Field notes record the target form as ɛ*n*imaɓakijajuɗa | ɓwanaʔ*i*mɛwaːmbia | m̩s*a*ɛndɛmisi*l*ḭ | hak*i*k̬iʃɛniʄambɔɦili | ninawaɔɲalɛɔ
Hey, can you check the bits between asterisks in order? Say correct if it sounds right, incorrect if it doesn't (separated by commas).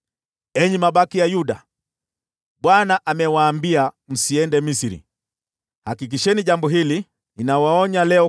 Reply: incorrect, incorrect, incorrect, incorrect, correct